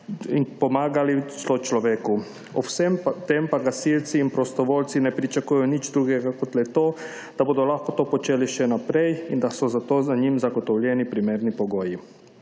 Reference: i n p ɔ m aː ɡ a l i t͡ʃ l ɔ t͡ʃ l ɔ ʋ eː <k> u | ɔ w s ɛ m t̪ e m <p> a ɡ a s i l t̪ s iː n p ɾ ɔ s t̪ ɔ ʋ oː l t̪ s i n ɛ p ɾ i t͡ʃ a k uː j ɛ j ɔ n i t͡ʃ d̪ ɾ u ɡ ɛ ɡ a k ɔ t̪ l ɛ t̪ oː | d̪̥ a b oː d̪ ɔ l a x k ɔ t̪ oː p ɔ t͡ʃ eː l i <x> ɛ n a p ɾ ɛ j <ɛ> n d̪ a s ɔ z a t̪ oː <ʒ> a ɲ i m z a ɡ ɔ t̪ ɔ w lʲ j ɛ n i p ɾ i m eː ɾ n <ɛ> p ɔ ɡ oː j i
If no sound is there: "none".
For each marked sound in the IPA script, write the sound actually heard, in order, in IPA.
k, p, ʃ, i, z, i

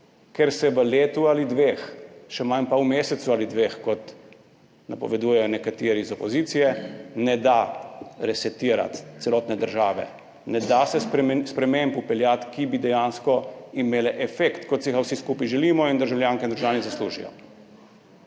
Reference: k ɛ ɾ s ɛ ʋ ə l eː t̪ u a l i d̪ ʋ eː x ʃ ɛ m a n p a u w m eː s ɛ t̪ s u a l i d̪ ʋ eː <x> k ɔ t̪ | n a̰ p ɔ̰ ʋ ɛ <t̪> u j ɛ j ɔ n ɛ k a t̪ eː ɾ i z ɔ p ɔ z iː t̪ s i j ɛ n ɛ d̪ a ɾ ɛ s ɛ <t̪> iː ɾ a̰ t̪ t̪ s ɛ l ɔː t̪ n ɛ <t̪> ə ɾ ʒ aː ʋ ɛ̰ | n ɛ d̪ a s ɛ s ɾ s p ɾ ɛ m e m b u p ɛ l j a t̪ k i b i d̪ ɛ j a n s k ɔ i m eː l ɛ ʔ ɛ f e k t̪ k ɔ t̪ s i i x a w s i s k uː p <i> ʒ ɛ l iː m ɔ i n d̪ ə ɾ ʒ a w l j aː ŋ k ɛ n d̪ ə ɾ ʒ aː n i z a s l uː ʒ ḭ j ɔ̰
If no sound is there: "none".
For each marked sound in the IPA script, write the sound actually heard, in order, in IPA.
x, d̪, t̪, d̪, i

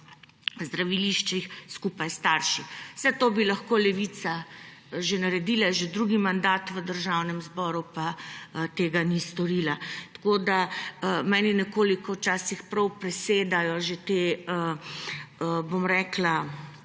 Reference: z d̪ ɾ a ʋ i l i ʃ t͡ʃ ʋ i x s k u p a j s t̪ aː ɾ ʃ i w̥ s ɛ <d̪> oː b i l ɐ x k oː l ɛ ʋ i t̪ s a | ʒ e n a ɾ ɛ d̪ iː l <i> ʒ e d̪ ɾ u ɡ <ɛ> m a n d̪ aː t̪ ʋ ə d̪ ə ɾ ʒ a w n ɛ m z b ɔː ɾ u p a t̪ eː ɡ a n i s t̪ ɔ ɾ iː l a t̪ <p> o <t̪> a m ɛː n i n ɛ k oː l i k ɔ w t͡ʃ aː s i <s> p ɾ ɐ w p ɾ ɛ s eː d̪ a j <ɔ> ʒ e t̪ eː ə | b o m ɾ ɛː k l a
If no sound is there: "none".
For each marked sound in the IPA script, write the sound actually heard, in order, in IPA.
t̪, a, i, k, d̪, x, ɔ

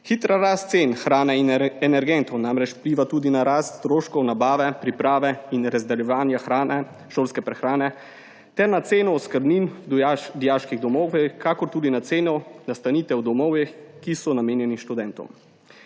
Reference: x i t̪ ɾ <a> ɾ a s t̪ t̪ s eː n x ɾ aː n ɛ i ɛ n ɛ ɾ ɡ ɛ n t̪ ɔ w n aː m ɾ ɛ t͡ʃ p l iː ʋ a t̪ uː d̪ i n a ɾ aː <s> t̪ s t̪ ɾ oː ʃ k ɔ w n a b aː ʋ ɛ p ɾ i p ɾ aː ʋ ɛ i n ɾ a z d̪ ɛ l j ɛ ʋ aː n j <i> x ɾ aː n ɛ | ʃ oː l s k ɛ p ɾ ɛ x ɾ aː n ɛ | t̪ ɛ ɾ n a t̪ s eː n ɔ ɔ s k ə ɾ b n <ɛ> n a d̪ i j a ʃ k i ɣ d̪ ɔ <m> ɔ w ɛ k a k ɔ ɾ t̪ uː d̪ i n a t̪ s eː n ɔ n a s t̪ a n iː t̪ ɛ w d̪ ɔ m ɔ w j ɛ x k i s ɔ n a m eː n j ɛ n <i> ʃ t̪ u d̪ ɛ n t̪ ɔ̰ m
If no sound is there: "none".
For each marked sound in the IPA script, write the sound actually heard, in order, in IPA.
a, s, a, i, m, i

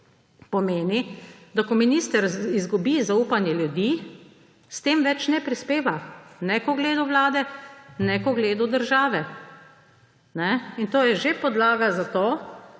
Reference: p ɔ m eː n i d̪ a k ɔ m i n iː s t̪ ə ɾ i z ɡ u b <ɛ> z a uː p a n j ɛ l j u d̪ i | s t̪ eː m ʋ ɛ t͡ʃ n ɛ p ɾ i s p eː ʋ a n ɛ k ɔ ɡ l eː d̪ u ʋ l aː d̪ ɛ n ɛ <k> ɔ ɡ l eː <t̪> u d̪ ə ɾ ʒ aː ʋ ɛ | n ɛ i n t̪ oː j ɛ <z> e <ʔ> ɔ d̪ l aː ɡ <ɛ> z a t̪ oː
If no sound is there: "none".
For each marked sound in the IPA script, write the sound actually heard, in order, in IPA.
i, k, d̪, ʒ, p, a

